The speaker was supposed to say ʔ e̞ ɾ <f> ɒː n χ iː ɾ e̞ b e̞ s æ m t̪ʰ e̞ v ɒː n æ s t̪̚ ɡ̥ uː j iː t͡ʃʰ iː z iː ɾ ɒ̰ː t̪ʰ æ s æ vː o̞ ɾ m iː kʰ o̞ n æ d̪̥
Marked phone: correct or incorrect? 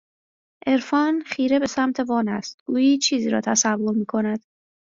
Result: correct